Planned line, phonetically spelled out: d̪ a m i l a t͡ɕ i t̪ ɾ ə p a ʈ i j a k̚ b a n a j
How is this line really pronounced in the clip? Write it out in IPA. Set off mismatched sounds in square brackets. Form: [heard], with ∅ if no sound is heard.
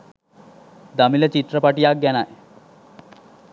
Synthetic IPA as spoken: d̪ a m i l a t͡ɕ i t̪ ɾ ə p a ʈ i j a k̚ [ɡ] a n a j